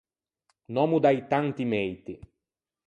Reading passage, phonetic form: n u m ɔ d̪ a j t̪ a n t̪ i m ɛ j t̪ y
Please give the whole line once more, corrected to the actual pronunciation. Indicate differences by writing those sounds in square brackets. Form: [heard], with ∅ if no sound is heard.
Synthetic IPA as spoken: n [ɔ] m [u] d̪ a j t̪ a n t̪ i m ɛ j t̪ [i]